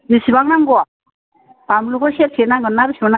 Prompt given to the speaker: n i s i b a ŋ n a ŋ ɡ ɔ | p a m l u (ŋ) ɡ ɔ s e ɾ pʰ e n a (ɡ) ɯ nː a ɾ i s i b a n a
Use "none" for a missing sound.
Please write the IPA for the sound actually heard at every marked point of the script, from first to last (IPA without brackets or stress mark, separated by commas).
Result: none, ɡ